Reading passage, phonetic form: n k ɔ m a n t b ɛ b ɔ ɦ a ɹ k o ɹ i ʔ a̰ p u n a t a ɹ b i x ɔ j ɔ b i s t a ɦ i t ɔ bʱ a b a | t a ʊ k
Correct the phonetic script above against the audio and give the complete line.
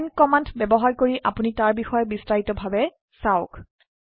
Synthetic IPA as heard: n k ɔ m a n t b ɛ b ɔ ɦ a ɹ k o ɹ i ʔ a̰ p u n i t a ɹ b i x ɔ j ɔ b i s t a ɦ i t ɔ bʱ a b ɛ | s a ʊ k